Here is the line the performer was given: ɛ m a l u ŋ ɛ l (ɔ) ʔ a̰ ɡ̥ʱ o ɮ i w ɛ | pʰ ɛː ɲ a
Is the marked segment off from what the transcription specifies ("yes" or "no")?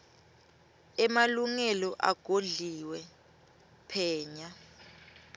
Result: no